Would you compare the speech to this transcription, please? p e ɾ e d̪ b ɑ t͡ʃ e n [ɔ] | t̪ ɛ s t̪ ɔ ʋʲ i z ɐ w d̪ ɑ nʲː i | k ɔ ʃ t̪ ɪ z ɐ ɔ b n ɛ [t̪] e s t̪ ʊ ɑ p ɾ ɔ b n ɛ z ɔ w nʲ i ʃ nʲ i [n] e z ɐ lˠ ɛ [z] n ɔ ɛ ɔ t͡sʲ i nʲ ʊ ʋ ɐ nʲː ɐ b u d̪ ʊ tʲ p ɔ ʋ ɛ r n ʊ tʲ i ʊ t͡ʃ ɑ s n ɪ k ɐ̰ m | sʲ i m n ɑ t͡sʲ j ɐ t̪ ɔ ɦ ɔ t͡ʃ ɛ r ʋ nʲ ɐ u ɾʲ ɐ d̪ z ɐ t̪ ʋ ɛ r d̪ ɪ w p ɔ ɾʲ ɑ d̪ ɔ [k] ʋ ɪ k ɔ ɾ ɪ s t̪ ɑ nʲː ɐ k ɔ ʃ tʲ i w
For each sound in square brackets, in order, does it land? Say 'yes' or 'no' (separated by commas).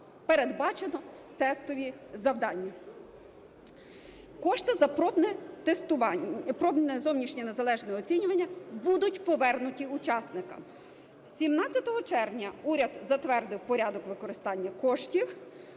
yes, yes, yes, no, yes